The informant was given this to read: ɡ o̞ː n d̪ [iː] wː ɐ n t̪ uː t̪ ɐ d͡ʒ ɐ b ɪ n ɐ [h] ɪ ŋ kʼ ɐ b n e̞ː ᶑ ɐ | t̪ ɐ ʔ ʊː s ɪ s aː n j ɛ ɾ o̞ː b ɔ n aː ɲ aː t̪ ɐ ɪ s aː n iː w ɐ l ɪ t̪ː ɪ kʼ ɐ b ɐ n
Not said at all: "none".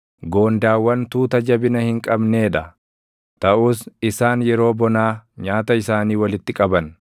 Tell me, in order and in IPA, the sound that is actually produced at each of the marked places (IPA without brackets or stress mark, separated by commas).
aː, h